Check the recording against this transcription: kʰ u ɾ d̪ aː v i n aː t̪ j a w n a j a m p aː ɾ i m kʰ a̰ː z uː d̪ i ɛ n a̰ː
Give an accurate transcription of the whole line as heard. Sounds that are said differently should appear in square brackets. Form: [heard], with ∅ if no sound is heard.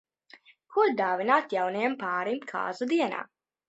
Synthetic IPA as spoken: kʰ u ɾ d̪ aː v i n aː t̪ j a w n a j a m p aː ɾ i m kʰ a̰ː z [u] d̪ i ɛ n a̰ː